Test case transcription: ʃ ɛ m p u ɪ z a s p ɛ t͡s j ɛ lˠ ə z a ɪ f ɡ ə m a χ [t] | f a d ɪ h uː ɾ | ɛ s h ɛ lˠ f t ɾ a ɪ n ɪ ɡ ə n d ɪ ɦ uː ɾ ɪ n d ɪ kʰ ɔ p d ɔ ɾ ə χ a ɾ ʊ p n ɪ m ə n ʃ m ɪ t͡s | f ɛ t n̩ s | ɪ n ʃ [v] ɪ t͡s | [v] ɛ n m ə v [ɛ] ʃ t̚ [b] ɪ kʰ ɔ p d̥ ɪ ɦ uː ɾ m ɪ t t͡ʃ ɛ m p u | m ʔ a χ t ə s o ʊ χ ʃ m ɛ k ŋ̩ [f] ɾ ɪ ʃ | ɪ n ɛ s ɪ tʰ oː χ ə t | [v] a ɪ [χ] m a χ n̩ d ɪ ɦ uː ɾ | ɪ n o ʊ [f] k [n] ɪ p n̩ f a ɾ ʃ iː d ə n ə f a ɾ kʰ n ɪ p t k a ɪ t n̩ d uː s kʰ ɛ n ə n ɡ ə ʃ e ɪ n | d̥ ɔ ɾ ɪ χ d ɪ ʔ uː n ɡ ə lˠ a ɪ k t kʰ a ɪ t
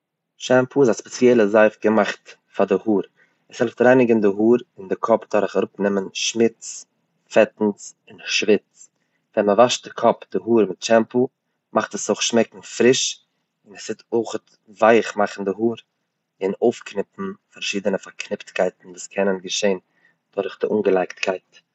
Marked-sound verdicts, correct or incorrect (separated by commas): correct, correct, correct, incorrect, incorrect, correct, correct, correct, correct, correct